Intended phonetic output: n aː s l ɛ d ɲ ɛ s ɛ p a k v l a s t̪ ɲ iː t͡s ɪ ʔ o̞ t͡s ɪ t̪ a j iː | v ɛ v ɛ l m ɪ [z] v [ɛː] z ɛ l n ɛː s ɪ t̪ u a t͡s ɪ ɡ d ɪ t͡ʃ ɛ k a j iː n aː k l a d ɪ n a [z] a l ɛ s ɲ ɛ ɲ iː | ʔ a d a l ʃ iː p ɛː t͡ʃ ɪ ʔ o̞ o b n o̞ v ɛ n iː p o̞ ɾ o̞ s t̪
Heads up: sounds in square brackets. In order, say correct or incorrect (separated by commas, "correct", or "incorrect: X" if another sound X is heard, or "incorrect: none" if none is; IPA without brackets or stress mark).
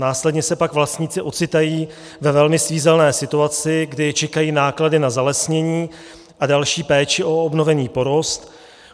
incorrect: s, incorrect: iː, correct